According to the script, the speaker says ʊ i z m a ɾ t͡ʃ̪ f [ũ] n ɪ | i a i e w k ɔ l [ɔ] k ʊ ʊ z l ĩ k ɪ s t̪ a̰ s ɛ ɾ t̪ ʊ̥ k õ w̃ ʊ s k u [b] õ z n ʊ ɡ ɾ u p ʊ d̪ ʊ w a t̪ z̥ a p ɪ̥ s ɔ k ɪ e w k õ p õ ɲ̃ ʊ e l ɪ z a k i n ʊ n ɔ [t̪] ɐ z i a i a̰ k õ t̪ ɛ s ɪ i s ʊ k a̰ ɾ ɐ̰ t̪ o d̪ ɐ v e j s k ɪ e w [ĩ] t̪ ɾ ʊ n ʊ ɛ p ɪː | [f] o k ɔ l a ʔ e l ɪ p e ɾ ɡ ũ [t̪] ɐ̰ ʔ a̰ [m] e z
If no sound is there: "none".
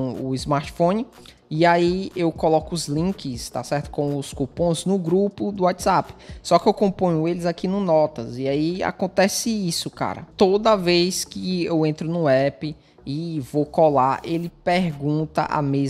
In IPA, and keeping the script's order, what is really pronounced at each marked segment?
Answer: õ, ɔ, p, t̪, ẽ, v, t̪, m

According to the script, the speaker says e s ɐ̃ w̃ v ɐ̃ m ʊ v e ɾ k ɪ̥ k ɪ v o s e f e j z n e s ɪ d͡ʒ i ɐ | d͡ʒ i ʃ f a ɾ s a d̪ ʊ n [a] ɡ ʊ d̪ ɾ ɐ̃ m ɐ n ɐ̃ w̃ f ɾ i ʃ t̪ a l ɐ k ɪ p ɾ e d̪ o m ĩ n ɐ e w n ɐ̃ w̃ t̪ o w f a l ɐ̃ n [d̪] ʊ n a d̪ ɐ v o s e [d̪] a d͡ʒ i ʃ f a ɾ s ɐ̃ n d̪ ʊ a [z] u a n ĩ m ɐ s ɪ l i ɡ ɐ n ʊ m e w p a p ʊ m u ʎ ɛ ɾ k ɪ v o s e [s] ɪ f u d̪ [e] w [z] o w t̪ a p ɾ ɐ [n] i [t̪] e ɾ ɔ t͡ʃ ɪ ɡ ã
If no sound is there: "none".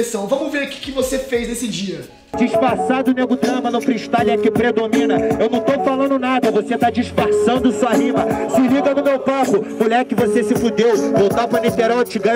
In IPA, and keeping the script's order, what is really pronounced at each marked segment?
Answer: e, d̪, t̪, s, s, e, v, n, t̪

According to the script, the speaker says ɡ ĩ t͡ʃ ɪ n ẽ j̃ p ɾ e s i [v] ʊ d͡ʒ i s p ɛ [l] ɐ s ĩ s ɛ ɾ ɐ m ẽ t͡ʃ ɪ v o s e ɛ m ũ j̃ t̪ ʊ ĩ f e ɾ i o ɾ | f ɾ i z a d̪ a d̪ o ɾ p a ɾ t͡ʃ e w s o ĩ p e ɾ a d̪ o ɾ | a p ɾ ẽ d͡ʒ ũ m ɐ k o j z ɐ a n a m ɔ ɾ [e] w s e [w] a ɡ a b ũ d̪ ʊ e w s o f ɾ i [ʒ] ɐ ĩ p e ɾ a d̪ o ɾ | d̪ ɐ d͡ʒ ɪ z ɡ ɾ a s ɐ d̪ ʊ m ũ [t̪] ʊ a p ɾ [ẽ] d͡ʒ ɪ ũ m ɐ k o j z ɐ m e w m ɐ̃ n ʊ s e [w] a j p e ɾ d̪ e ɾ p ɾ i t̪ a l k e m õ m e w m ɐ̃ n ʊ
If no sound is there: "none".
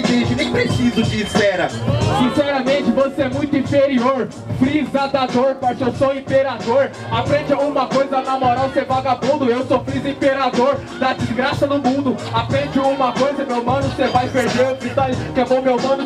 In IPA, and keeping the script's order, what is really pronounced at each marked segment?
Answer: z, ɾ, a, v, z, d̪, ẽ, v

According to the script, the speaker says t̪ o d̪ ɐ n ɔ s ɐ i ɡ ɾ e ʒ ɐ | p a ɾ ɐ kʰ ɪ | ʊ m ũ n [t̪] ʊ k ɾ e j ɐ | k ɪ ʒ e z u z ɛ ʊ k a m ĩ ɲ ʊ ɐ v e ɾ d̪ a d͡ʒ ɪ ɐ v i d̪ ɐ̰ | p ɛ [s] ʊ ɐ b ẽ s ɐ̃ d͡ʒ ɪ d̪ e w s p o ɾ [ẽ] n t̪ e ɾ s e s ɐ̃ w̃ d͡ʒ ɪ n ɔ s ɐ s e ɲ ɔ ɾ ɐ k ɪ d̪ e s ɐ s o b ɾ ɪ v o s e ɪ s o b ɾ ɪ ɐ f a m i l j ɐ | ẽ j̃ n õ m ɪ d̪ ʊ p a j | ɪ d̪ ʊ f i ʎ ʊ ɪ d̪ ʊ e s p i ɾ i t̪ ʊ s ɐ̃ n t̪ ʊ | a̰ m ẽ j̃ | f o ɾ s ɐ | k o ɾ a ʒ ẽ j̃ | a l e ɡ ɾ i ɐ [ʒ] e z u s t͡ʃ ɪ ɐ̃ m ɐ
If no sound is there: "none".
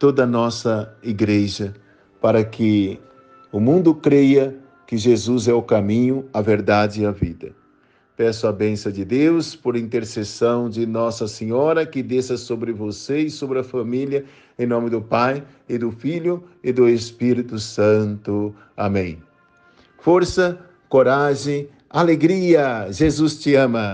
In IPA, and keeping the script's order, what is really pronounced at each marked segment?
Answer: d̪, s, ĩ, ʒ

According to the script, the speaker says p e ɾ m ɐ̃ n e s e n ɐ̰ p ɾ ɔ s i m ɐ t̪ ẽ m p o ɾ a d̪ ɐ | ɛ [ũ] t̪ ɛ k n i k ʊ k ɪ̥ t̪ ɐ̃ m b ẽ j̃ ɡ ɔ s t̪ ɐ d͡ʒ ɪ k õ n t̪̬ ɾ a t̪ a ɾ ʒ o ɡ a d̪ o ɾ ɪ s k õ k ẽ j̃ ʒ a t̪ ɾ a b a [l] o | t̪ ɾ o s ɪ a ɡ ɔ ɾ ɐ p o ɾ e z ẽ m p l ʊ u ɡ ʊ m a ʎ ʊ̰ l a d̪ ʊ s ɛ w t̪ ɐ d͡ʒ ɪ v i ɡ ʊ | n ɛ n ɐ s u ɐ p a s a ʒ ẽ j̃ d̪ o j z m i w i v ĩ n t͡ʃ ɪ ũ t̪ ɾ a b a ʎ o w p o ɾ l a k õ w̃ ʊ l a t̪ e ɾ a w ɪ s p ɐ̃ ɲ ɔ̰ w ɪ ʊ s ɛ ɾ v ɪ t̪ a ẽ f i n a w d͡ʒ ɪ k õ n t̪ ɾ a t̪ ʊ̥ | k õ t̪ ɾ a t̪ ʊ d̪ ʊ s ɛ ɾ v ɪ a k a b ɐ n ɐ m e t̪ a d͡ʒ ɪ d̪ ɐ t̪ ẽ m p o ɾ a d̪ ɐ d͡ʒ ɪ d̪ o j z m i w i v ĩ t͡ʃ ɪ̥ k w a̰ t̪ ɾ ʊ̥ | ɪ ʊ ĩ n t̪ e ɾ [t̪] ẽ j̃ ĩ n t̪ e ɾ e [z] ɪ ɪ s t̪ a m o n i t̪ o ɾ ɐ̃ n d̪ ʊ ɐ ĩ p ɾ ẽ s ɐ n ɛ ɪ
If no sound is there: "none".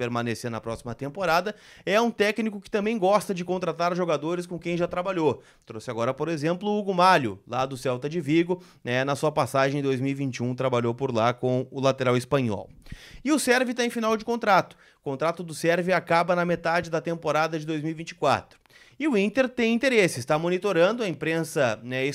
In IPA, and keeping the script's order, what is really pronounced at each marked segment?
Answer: ũ, ʎ, t̪, s

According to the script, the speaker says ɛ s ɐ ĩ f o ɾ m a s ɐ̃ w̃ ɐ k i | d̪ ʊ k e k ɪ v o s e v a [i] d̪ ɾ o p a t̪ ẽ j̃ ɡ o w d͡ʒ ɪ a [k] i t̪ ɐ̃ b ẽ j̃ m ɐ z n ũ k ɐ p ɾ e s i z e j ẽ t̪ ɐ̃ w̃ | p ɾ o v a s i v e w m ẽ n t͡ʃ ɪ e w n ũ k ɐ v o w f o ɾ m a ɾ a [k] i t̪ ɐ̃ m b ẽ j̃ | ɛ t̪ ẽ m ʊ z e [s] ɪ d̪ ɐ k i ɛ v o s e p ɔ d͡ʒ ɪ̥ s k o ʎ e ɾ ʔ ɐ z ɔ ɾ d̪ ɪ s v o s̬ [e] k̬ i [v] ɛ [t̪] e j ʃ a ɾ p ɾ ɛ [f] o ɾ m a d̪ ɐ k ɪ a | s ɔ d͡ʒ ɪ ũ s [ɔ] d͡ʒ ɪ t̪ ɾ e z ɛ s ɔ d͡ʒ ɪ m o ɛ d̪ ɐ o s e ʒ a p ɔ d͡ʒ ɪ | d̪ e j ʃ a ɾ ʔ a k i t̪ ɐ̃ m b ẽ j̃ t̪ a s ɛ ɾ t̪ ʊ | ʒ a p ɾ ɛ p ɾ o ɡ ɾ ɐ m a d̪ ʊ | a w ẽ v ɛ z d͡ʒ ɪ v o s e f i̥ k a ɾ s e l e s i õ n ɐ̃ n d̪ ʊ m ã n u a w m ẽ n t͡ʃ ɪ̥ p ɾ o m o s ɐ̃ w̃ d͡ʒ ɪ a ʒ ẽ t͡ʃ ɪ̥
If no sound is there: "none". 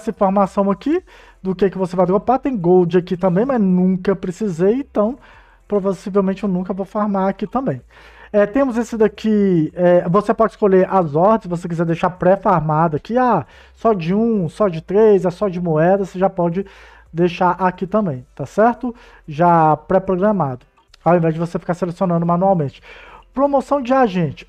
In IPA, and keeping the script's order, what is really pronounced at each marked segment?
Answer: j, k, k, s, e, z, d̪, f, ɔ

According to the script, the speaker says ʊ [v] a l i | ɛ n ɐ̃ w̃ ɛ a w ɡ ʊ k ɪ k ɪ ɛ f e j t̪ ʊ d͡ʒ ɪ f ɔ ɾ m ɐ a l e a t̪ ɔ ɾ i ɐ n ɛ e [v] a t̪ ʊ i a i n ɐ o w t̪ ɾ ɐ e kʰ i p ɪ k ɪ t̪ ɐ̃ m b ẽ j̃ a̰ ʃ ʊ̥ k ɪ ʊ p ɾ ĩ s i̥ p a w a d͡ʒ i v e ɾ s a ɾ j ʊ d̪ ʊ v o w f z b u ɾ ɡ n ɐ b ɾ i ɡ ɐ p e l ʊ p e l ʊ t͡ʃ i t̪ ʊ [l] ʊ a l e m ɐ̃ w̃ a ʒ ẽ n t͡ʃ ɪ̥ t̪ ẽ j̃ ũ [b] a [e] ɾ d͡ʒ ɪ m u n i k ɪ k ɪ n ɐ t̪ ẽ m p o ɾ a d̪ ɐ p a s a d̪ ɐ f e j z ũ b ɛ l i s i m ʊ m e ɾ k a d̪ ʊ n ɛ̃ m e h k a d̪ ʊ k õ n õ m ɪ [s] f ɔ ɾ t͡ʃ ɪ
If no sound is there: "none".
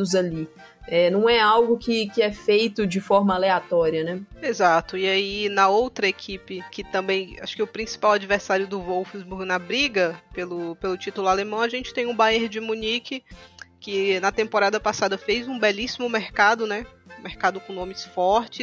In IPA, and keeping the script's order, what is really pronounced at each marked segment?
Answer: z, z, l, b, e, s

